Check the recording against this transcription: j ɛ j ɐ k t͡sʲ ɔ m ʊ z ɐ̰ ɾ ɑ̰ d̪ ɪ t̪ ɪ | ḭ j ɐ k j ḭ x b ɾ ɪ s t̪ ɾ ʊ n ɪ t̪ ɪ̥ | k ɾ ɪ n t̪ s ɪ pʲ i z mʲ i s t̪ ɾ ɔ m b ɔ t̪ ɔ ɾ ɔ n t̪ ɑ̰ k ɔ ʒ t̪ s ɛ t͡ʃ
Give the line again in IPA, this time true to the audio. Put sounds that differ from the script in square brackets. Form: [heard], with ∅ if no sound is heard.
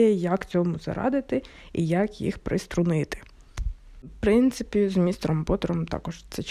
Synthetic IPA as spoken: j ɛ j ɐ k t͡sʲ ɔ m ʊ z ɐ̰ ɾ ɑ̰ d̪ ɪ t̪ ɪ | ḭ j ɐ k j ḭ x [p] ɾ ɪ s t̪ ɾ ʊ n ɪ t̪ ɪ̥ | [p] ɾ ɪ n t̪ s ɪ pʲ i z mʲ i s t̪ ɾ ɔ m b ɔ t̪ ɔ ɾ ɔ [m] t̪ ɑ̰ k ɔ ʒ t̪ s ɛ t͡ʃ